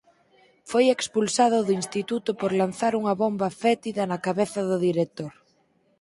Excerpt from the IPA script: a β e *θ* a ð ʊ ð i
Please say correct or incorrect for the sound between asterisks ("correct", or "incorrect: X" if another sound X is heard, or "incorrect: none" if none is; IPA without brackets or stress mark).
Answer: correct